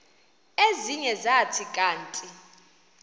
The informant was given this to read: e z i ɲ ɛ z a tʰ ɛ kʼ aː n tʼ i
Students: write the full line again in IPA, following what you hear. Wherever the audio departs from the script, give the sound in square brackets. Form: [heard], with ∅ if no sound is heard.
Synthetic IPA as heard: e z i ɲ ɛ z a tʰ [i] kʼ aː n tʼ i